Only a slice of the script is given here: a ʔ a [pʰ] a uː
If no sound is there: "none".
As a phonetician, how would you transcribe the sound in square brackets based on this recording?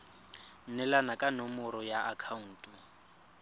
kʰ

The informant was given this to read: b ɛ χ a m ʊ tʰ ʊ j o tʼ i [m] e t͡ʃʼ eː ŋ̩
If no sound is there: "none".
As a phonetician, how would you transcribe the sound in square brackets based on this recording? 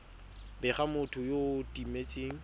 m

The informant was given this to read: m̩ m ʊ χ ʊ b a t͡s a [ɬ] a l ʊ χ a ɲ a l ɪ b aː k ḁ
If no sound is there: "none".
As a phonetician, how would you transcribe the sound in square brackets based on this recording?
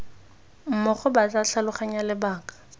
ɬ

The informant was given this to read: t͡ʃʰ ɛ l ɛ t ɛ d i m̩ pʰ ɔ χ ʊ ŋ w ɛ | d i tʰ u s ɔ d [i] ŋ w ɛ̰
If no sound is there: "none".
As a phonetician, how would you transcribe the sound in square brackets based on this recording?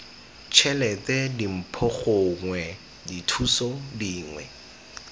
iː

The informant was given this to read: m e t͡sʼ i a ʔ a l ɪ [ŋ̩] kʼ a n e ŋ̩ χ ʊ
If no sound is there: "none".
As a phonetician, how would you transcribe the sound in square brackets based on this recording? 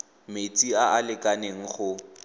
none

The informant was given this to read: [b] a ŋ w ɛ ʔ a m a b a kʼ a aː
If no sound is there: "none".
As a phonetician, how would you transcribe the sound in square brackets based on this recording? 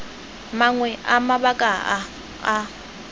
m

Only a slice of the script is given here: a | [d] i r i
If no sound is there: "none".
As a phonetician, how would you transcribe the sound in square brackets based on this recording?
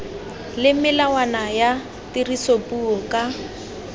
t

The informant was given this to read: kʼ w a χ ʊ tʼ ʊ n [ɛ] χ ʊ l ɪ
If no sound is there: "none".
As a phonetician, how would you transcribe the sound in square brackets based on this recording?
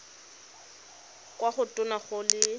a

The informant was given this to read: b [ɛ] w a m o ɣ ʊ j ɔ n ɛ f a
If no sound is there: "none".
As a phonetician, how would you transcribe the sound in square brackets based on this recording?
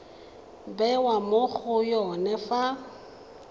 ɛ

